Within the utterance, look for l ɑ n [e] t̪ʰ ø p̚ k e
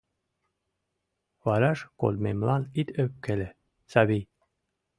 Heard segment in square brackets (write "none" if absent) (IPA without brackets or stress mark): i